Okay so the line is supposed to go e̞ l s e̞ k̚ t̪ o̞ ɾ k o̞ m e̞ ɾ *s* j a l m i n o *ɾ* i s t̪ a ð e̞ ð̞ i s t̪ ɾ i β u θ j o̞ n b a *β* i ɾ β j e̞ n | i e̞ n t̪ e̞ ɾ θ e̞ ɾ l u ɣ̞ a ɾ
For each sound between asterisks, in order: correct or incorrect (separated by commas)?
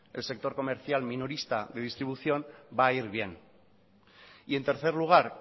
incorrect, correct, incorrect